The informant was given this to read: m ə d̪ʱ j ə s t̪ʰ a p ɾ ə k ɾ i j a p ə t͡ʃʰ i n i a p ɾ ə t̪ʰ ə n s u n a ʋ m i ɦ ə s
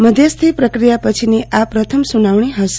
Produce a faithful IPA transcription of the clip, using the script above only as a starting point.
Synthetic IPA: m ə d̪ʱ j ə s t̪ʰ i p ɾ ə k ɾ i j a p ə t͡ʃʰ i n i a p ɾ ə t̪ʰ ə m s u n a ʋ ɳ i ɦ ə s